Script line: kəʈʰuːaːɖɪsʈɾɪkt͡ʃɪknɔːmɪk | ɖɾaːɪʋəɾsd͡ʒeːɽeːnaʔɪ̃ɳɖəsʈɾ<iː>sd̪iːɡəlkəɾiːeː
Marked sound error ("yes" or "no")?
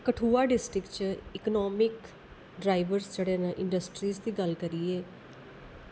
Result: no